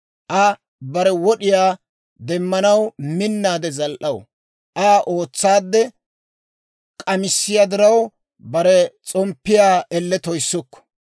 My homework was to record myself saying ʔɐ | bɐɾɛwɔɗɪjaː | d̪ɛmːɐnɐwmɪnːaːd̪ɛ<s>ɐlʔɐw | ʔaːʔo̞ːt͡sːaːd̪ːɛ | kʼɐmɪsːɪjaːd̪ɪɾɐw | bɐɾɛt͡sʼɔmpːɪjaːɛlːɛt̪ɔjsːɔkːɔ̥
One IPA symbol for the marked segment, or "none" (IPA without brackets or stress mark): z